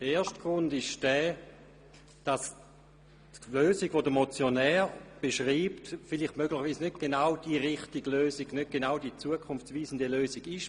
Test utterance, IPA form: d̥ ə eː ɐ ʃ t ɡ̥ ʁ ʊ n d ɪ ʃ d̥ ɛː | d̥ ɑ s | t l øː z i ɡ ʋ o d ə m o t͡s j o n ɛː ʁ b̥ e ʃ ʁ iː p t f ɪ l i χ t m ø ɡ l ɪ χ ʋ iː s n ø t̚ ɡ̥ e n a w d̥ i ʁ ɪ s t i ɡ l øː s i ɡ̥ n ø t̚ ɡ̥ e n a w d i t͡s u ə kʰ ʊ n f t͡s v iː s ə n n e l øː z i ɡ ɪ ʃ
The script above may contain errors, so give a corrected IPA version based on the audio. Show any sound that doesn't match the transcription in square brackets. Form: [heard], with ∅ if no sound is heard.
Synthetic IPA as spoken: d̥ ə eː ɐ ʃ t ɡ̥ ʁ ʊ n d ɪ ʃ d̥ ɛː | d̥ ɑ s | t l øː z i ɡ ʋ o d ə m o t͡s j o n ɛː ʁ b̥ e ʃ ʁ iː p t f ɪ l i χ t m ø ɡ l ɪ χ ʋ iː s n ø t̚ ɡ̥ e n a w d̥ i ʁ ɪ [χ] t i ɡ l øː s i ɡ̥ n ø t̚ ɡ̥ e n a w d i t͡s u ə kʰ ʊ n f t͡s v iː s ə n [d] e l øː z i ɡ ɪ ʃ